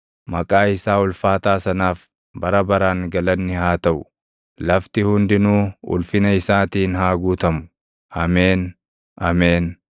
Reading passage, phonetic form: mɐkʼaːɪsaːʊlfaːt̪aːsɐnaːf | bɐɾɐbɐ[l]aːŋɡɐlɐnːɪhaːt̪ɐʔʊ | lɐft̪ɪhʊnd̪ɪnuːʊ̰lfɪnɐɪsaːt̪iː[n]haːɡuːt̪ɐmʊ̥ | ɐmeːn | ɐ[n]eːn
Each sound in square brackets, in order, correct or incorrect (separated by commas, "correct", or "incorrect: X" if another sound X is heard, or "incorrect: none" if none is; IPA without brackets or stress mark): incorrect: ɾ, correct, incorrect: m